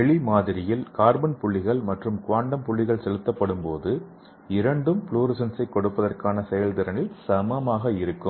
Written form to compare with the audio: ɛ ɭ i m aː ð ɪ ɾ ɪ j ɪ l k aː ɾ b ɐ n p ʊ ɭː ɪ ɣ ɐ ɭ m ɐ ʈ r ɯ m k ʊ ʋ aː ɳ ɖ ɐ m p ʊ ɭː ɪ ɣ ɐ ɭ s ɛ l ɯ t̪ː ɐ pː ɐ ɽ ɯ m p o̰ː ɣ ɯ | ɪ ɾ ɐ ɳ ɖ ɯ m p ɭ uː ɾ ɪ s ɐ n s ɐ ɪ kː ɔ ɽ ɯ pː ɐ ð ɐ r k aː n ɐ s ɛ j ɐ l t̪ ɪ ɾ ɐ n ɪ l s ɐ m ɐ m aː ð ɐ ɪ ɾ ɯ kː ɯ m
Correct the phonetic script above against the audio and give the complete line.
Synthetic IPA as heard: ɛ ɭ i m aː ð ɪ ɾ ɪ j ɪ l k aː ɾ b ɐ n p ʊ ɭː ɪ ɣ ɐ ɭ m ɐ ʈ r ɯ m k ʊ ʋ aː ɳ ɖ ɐ m p ʊ ɭː ɪ ɣ ɐ ɭ s ɛ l ɯ t̪ː ɐ pː ɐ ɽ ɯ m p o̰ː ð ɯ | ɪ ɾ ɐ ɳ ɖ ɯ m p ɭ uː ɾ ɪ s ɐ n s ɐ ɪ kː ɔ ɽ ɯ pː ɐ ð ɐ r k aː n ɐ s ɛ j ɐ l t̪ ɪ ɾ ɐ n ɪ l s ɐ m ɐ m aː ɣ ɐ ɪ ɾ ɯ kː ɯ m